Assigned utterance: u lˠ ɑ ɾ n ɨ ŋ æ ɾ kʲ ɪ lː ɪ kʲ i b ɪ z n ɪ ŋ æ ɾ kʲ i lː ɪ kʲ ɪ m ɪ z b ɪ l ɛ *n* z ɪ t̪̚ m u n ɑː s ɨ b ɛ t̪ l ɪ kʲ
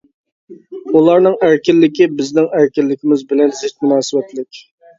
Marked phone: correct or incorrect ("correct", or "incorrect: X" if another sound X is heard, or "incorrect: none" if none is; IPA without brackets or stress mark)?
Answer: correct